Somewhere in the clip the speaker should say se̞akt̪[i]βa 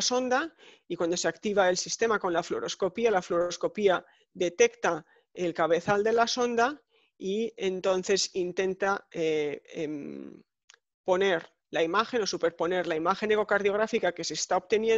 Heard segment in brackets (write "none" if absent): i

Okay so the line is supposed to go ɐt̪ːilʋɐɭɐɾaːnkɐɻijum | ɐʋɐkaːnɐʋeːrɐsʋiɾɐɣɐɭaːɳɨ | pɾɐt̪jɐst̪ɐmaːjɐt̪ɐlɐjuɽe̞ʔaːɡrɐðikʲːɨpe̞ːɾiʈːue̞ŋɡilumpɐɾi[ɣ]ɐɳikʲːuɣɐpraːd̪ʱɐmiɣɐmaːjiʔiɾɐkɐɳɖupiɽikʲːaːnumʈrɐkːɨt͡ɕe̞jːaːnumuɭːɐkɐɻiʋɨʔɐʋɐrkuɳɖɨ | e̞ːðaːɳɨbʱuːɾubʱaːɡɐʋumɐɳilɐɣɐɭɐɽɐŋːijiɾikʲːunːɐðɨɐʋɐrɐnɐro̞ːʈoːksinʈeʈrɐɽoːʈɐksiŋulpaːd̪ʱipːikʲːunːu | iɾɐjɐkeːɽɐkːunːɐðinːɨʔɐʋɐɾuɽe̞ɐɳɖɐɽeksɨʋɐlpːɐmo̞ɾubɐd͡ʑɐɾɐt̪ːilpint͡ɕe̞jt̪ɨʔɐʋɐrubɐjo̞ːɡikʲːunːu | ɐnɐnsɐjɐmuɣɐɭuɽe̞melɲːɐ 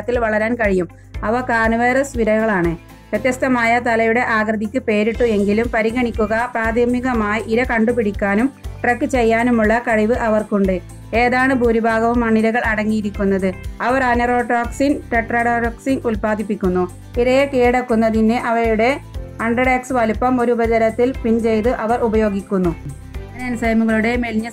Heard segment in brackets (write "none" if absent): ɣ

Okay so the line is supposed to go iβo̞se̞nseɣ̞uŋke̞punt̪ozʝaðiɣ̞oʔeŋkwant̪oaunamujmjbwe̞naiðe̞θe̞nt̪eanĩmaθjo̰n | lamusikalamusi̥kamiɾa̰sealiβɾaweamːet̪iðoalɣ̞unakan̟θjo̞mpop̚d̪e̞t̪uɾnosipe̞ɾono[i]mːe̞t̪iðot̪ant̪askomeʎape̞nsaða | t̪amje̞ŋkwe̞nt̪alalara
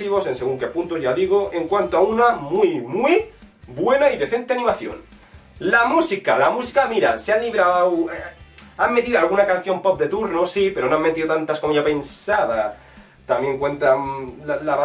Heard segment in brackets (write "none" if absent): a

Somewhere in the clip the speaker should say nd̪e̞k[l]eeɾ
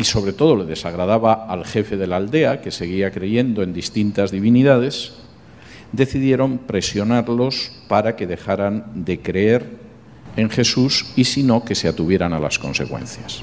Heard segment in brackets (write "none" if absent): ɾ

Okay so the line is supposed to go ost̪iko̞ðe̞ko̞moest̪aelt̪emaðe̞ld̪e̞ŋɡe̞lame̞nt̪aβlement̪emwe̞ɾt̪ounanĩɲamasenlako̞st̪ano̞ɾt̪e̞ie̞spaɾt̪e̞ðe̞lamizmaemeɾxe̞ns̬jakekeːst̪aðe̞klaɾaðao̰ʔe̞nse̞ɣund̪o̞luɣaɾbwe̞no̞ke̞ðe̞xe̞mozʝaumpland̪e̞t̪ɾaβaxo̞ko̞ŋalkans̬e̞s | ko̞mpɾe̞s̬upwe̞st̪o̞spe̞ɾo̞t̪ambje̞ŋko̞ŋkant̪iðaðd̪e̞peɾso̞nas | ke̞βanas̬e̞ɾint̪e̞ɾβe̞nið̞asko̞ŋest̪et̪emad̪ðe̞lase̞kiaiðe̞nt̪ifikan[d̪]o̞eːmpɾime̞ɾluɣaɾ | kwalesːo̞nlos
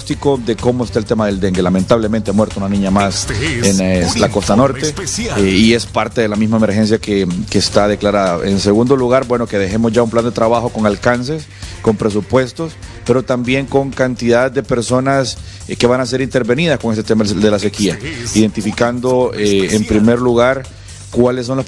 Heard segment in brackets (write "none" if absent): d̪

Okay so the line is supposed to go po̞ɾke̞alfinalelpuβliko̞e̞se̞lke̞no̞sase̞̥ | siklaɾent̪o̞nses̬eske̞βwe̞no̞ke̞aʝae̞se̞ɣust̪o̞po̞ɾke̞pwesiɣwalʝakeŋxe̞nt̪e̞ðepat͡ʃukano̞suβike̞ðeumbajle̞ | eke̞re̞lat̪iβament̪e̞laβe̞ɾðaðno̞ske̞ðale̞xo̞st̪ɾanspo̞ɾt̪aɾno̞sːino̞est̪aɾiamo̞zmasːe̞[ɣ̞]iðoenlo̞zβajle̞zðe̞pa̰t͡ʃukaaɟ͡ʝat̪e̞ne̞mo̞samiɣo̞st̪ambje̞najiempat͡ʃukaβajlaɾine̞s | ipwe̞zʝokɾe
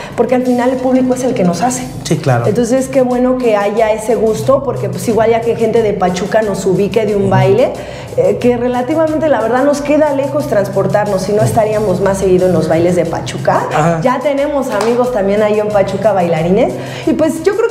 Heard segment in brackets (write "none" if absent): ɣ̞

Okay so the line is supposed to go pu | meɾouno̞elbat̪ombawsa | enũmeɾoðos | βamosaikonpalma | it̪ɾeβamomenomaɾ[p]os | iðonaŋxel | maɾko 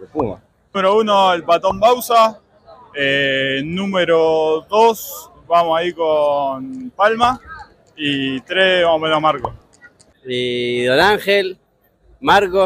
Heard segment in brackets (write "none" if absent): k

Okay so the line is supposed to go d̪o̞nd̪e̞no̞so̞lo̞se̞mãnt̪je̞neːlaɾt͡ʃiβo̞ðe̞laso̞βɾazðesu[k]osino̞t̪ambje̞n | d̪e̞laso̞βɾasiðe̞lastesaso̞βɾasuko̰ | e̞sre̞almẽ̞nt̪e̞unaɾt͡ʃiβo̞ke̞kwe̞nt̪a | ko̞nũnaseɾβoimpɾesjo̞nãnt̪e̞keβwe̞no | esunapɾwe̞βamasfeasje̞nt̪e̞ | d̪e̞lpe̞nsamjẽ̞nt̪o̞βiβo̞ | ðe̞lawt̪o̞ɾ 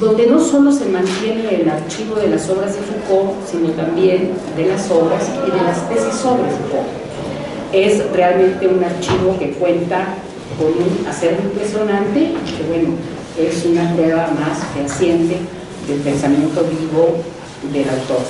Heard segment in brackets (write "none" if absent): k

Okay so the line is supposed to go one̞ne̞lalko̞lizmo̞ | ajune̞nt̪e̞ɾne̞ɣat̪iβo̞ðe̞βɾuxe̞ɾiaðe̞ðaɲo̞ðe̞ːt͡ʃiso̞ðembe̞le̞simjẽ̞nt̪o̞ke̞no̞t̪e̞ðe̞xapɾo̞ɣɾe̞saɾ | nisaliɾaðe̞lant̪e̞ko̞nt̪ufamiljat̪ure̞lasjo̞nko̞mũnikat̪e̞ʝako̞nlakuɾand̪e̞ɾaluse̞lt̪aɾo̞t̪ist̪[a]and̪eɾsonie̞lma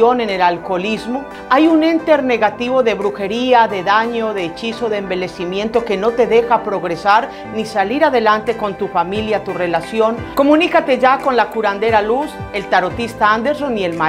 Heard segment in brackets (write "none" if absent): a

